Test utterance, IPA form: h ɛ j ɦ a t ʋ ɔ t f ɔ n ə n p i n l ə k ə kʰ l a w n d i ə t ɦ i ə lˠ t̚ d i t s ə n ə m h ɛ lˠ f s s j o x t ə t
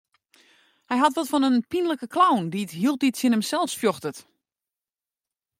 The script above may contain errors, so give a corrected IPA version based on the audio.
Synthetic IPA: h ɛ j ɦ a t ʋ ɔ t f ɔ n ə n p i n l ə k ə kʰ l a w n d i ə t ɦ i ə lˠ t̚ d i t s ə n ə m s ɛ lˠ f s f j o x t ə t